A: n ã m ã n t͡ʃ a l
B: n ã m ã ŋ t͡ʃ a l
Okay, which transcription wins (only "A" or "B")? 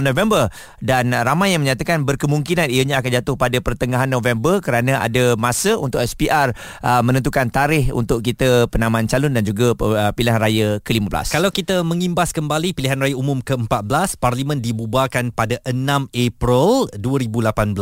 A